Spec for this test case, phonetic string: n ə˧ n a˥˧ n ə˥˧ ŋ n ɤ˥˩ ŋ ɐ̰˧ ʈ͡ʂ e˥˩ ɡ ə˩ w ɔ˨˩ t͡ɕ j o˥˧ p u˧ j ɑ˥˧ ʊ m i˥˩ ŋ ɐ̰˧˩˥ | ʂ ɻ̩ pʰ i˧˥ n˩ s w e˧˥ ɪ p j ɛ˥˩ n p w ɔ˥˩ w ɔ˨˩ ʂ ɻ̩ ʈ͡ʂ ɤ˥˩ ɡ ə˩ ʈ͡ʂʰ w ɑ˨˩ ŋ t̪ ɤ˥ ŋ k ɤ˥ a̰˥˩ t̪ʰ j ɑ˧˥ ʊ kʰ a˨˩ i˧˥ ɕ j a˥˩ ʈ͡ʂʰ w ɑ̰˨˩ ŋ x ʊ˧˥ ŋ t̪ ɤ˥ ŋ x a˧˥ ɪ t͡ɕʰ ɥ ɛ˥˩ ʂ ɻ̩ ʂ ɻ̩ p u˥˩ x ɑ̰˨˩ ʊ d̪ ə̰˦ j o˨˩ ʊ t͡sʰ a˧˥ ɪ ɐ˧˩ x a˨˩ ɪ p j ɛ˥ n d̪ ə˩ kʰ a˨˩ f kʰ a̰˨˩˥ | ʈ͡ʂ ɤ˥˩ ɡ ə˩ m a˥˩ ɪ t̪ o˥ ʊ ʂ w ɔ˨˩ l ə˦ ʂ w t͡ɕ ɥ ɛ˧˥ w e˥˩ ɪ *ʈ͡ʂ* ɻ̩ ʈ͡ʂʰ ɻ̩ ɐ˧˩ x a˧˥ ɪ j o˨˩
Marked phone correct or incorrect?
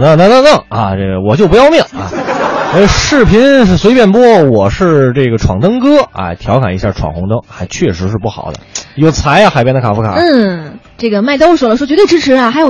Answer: correct